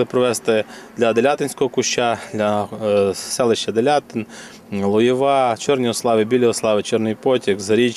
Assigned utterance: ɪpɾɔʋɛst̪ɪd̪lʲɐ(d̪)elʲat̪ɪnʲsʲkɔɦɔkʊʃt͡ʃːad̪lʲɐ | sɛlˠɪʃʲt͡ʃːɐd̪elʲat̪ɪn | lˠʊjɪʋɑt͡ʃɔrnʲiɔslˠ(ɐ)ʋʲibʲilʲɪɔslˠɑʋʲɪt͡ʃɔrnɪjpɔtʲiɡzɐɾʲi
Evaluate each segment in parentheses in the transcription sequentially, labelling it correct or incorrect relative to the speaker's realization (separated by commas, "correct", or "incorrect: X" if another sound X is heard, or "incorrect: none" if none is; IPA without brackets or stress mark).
correct, incorrect: ɑ